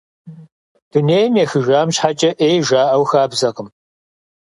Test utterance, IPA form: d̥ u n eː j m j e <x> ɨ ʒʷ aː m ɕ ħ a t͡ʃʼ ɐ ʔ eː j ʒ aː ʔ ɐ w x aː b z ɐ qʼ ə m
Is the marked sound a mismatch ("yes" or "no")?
no